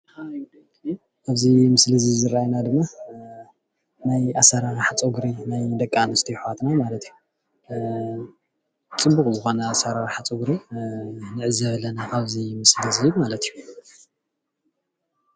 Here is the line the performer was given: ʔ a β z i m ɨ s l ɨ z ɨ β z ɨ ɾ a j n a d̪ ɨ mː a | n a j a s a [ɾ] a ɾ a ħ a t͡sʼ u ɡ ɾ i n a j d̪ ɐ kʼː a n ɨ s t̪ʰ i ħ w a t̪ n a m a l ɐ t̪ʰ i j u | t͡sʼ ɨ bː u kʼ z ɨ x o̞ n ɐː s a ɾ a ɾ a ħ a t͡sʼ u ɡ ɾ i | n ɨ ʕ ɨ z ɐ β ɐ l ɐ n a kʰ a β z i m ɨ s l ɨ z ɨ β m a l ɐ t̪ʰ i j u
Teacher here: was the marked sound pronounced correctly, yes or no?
yes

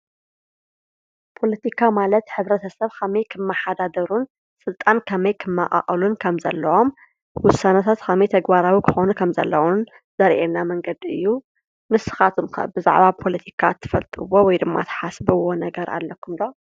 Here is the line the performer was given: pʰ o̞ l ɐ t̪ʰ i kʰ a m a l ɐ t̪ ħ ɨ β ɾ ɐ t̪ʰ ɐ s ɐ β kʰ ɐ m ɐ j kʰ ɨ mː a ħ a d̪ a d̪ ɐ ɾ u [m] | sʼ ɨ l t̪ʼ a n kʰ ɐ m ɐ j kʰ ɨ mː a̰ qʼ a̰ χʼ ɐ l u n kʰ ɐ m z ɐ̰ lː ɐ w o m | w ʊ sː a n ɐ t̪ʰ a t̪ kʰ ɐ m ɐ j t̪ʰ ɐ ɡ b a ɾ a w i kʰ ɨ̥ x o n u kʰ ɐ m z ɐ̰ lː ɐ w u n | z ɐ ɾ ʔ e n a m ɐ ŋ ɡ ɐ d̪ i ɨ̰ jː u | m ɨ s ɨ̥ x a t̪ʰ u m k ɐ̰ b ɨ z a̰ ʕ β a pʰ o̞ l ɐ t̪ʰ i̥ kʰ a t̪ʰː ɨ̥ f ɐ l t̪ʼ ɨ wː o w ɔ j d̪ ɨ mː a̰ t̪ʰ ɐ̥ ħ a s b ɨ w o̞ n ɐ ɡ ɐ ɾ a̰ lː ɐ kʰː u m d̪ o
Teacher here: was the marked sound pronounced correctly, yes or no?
no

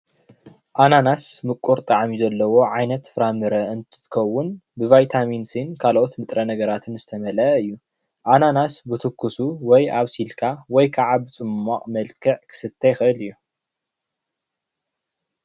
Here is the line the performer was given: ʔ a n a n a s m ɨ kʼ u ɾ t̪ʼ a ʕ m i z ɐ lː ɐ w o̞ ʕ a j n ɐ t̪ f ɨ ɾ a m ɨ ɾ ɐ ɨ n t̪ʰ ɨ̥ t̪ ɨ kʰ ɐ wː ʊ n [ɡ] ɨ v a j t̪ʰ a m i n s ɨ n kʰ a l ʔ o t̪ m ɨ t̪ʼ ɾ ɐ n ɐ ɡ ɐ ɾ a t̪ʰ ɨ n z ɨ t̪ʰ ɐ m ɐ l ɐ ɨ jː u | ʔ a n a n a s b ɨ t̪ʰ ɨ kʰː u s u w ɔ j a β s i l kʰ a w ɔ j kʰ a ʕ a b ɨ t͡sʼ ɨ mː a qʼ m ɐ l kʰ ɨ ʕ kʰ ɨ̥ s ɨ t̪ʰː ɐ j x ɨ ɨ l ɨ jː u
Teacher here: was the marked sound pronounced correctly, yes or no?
no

